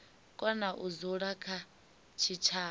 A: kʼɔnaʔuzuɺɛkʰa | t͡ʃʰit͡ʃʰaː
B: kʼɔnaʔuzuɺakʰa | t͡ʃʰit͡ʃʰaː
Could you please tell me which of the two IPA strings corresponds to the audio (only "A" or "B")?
B